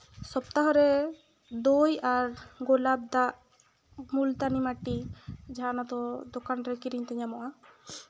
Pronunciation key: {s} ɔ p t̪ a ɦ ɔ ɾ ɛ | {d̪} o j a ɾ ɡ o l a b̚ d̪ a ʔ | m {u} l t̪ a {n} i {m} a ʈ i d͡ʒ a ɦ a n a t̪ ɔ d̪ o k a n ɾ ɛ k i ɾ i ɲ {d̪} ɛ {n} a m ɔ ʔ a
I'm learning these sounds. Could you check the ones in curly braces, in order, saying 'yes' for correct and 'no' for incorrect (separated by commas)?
yes, yes, yes, yes, yes, no, no